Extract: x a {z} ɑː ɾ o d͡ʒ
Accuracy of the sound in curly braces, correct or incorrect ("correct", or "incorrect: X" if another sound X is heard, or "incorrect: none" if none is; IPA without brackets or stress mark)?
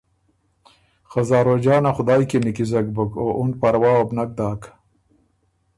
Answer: correct